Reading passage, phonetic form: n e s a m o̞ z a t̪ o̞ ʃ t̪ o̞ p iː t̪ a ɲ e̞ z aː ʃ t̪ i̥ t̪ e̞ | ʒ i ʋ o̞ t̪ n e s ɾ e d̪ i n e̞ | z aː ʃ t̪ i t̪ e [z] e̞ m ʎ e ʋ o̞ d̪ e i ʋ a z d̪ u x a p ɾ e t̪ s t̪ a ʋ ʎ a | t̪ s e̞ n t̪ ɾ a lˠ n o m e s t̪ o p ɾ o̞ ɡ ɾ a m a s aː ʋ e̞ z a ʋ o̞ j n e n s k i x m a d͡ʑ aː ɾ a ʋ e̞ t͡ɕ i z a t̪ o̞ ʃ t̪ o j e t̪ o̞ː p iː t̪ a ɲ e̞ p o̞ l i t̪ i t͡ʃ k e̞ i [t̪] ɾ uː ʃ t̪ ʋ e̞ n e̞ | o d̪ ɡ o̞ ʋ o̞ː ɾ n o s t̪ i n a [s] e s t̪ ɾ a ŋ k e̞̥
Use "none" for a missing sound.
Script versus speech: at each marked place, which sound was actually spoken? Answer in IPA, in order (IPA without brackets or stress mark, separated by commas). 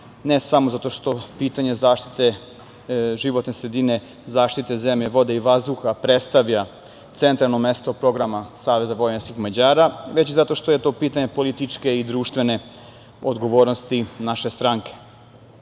z, d̪, ʃ